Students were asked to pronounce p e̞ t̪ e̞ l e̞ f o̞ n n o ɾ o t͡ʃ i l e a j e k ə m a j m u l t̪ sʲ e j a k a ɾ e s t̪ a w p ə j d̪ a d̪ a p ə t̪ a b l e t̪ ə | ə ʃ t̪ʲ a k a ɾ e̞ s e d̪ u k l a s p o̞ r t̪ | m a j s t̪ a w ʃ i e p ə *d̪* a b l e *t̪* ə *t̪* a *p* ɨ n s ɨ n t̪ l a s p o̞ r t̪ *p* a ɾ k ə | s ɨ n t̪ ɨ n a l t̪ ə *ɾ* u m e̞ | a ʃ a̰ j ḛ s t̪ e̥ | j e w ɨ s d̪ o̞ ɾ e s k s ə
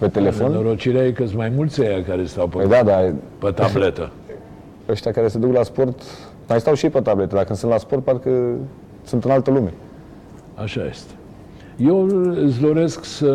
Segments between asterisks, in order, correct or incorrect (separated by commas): incorrect, correct, incorrect, incorrect, correct, incorrect